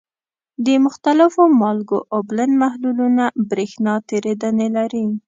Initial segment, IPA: d̪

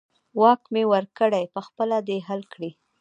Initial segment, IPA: w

